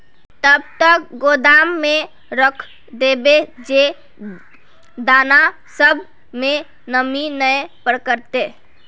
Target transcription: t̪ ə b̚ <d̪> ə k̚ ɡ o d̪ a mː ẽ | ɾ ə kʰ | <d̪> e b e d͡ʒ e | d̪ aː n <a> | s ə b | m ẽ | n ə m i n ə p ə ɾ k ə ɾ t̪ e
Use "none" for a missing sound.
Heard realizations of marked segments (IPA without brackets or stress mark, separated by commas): t̪, d̪, a